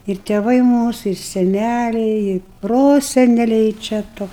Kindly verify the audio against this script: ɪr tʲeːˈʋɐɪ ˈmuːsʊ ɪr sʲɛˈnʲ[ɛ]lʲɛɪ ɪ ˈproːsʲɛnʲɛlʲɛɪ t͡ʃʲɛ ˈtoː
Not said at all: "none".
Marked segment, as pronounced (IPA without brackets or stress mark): æ